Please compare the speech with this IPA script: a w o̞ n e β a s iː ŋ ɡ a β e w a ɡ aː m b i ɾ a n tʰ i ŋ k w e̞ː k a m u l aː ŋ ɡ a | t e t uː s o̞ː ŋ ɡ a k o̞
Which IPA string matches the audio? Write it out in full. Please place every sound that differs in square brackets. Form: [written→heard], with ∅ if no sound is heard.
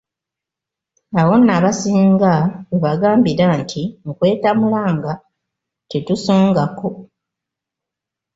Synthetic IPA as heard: a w o̞ n [e→a] β a s iː ŋ ɡ a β e [w→β] a ɡ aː m b i ɾ a n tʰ i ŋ k w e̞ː [k→t] a m u l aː ŋ ɡ a | t e t [uː→u] s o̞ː ŋ ɡ a k o̞